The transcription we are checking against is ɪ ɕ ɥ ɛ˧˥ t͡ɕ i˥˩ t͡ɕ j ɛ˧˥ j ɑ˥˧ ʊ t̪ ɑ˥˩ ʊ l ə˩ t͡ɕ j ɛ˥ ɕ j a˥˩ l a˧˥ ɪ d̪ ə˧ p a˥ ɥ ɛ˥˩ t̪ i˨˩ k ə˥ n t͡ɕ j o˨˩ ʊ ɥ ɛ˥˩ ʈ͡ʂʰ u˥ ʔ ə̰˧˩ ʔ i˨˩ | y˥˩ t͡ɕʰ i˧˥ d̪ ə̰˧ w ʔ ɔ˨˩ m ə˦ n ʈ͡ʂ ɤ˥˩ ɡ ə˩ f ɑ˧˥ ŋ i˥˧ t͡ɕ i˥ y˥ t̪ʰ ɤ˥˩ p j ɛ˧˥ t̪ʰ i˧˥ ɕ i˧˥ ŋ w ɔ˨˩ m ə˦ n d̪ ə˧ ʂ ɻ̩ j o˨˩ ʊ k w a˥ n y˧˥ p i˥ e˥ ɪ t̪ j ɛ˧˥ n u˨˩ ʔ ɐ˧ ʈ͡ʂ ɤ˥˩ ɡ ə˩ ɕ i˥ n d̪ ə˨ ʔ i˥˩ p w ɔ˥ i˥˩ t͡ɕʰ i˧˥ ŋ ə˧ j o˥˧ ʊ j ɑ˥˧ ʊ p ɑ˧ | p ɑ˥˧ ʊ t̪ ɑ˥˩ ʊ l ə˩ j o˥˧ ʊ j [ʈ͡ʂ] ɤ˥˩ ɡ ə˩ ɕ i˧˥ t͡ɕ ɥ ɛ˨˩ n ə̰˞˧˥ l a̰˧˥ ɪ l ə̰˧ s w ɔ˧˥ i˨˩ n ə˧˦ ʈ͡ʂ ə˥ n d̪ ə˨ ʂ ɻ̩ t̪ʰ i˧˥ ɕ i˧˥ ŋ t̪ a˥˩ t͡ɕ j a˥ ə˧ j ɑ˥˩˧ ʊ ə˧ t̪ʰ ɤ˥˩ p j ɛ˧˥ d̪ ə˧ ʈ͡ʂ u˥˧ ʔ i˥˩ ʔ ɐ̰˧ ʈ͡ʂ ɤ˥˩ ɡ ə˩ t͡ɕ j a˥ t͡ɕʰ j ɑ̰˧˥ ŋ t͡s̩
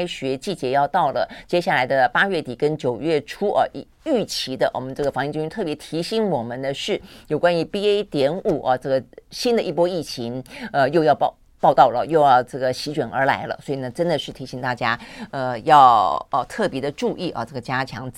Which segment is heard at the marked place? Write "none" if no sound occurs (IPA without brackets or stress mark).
ʈ͡ʂ